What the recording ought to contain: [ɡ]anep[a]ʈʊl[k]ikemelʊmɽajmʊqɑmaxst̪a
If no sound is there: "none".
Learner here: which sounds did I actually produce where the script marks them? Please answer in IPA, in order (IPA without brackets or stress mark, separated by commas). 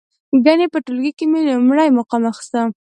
ɡ, ə, ɡ